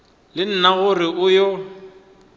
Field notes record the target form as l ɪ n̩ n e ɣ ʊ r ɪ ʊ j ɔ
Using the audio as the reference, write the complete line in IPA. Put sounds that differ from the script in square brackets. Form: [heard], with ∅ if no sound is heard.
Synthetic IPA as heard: l ɪ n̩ n [a] ɣ ʊ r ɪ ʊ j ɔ